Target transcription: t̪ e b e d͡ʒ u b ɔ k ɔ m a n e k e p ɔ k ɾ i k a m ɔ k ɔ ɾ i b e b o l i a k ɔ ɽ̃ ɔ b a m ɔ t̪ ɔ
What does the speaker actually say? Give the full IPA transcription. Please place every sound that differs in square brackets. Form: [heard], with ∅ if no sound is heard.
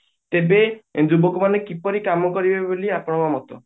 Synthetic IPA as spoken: t̪ e b e d͡ʒ u b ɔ k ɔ m a n e k [i] p ɔ [∅] ɾ i k a m ɔ k ɔ ɾ i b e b o l i a [p] ɔ ɽ̃ ɔ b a m ɔ t̪ ɔ